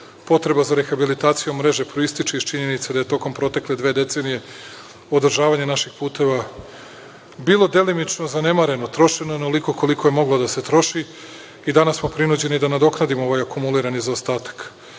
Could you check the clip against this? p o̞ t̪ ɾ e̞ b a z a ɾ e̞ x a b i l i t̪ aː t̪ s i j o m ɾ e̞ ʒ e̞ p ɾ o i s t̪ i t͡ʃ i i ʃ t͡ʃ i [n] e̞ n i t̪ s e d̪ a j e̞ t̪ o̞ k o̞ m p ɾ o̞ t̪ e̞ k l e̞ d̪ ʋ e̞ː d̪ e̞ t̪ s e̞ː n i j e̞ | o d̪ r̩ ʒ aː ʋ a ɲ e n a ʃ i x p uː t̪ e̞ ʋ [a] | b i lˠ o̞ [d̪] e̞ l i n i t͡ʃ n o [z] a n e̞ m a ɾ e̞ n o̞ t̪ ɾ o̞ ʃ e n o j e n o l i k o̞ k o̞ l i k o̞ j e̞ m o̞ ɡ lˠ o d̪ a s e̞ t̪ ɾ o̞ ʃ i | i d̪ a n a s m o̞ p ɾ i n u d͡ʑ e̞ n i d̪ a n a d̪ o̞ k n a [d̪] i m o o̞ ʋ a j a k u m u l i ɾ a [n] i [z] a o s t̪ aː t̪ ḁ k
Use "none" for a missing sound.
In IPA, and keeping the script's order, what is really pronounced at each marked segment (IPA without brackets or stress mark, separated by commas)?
ɲ, a, d̪, z, d̪, n, z